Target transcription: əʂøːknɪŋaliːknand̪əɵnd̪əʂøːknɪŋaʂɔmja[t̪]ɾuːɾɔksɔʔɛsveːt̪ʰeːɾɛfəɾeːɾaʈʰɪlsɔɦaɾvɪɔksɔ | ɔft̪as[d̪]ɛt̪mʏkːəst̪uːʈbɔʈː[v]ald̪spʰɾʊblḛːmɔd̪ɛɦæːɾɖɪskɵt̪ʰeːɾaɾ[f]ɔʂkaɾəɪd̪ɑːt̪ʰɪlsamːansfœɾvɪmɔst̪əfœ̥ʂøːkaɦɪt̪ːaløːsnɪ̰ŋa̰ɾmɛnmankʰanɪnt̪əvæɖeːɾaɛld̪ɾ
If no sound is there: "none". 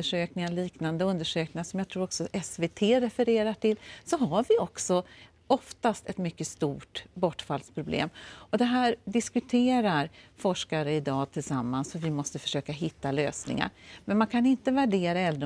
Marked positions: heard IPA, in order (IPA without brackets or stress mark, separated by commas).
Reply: t̪ʰ, t̪, f, f